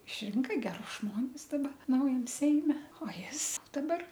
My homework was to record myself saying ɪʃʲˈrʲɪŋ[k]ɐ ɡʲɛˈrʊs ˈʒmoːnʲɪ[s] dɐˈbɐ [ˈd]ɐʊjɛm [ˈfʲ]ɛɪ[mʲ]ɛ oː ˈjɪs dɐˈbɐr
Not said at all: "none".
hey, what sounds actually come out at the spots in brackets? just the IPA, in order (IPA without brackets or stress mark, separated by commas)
k, s, n, sʲ, mʲ